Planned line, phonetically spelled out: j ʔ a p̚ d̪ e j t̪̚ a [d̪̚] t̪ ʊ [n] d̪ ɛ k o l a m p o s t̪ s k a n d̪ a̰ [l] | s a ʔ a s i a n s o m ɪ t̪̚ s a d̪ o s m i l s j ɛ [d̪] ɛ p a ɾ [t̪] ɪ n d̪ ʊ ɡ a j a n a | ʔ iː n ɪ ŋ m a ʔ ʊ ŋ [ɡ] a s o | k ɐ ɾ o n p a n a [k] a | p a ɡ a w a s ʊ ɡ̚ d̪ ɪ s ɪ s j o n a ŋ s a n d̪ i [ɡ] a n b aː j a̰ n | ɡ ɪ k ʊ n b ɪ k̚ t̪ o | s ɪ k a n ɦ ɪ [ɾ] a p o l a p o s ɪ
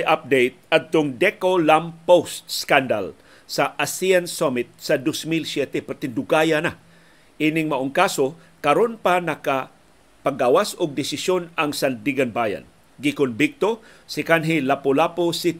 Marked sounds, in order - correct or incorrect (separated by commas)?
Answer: correct, incorrect, correct, incorrect, correct, incorrect, correct, correct, incorrect